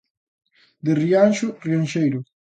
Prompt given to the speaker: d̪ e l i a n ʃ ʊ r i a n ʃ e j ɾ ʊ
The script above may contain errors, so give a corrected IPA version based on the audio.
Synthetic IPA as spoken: d̪ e r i a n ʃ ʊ r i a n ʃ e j ɾ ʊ